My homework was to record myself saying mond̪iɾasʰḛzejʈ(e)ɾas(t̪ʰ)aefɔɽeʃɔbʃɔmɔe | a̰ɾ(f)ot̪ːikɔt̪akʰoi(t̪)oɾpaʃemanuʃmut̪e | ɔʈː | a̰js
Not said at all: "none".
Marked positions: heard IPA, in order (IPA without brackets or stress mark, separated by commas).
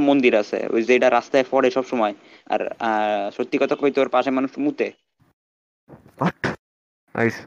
a, t̪, ʃ, t̪